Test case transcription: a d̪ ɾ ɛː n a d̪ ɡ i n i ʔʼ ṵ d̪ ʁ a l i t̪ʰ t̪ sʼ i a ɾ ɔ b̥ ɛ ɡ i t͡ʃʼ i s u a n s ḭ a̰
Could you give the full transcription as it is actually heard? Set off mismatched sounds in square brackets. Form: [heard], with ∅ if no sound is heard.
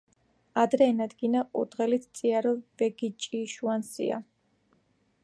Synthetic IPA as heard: a d̪ ɾ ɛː n a d̪ ɡ i n [a] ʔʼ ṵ d̪ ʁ [ɛ] l i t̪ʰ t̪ sʼ i a ɾ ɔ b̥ ɛ ɡ i t͡ʃʼ i [ʃ] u a n s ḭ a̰